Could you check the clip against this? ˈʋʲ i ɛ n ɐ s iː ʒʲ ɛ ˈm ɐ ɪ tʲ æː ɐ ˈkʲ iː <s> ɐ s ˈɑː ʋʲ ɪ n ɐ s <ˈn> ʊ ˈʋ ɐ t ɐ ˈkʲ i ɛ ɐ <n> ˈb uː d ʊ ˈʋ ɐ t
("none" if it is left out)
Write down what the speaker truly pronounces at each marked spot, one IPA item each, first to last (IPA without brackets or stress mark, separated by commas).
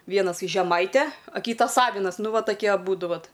t, n, none